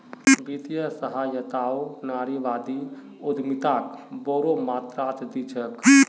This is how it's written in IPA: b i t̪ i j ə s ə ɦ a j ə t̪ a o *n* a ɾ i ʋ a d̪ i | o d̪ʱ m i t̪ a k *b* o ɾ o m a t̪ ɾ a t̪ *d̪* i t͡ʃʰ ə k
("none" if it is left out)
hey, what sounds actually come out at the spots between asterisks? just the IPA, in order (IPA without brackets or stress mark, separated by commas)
n, b, d̪